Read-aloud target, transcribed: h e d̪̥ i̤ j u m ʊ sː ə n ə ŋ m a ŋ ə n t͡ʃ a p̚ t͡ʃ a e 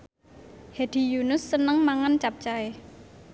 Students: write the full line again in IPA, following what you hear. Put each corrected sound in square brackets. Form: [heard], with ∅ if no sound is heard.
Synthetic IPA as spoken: h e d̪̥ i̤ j u [n] ʊ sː ə n ə ŋ m a ŋ [a] n t͡ʃ a p̚ t͡ʃ a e